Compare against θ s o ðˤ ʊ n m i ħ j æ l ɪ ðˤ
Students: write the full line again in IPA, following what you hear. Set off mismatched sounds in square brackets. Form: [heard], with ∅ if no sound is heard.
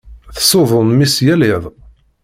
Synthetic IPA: θ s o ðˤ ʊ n m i [s] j æ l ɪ ðˤ